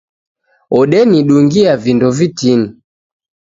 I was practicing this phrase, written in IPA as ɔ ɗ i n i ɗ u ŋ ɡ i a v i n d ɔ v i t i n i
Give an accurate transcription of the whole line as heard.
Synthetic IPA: ɔ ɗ ɛ n i ɗ u ŋ ɡ i a v i n d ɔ v i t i n i